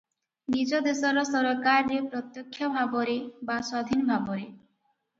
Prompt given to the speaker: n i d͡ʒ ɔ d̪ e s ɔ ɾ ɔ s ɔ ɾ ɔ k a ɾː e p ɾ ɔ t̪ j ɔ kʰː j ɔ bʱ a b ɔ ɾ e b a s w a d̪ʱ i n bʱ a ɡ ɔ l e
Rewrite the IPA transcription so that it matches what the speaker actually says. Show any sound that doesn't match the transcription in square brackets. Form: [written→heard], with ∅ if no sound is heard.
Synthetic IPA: n i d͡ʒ ɔ d̪ e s ɔ ɾ ɔ s ɔ ɾ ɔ k a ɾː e p ɾ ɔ t̪ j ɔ kʰː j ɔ bʱ a b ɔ ɾ e b a s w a d̪ʱ i n bʱ a [ɡ→b] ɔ [l→ɾ] e

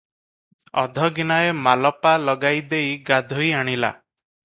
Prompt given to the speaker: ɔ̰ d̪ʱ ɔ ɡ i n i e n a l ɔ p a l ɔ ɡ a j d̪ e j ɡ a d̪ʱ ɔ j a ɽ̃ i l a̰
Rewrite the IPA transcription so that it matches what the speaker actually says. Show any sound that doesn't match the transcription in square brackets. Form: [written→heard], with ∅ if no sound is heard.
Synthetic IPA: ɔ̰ d̪ʱ ɔ ɡ i n [i→a] e [n→m] a l ɔ p a l ɔ ɡ a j d̪ e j ɡ a d̪ʱ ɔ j a ɽ̃ i l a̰

